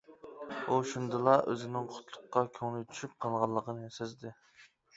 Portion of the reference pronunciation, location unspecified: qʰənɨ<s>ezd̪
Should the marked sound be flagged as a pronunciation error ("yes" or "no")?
no